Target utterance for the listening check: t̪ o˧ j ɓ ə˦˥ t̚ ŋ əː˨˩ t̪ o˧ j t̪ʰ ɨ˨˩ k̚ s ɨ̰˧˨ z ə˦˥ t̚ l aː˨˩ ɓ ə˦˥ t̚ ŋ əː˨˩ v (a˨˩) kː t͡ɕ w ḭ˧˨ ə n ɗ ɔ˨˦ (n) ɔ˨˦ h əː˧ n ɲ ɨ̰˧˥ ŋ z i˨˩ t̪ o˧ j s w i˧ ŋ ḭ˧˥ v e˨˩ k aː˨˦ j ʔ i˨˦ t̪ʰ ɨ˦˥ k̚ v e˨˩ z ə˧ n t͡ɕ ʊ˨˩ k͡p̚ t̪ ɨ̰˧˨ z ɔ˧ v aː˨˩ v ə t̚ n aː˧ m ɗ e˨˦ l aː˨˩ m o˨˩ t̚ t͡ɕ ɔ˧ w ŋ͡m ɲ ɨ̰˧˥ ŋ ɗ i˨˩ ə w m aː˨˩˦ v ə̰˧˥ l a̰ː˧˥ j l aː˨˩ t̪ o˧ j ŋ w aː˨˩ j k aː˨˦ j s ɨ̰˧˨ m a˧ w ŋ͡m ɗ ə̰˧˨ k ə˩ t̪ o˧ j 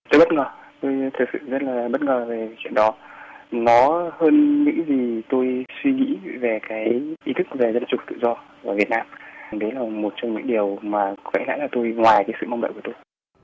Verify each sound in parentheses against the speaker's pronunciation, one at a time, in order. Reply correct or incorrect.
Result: incorrect: e˨˩, correct

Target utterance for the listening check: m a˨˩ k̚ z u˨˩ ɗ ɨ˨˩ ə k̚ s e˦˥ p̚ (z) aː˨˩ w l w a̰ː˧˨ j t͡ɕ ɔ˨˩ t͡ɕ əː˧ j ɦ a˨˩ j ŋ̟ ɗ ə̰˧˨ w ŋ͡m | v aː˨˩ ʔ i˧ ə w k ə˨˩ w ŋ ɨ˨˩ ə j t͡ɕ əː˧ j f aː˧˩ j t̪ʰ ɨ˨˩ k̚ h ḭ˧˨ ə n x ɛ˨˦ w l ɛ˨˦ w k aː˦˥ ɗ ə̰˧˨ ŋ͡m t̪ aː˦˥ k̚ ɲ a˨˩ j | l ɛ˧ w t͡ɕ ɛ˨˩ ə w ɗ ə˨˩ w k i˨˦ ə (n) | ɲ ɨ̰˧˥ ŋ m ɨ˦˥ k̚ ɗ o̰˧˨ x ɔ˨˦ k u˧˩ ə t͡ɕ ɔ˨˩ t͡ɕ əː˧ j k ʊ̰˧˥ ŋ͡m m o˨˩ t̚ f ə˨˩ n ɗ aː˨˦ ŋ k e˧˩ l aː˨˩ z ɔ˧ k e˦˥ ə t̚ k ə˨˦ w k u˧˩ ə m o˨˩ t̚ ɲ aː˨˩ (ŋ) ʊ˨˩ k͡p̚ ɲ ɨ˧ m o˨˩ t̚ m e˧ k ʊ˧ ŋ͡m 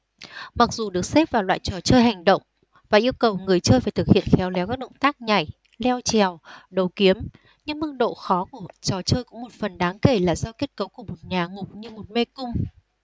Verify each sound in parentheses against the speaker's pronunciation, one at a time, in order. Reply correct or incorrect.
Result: incorrect: v, incorrect: m, correct

